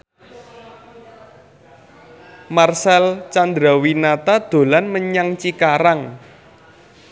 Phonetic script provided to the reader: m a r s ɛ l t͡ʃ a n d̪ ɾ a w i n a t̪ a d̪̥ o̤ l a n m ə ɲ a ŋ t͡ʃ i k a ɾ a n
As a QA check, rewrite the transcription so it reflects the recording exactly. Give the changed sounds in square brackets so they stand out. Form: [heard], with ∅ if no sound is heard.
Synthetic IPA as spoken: m a r s ɛ l t͡ʃ a n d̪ ɾ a w i n a t̪ a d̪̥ o̤ l a n m ə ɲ a ŋ t͡ʃ i k a ɾ a [ŋ]